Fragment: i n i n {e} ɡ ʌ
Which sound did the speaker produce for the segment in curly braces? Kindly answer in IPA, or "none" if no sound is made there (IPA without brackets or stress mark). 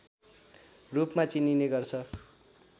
e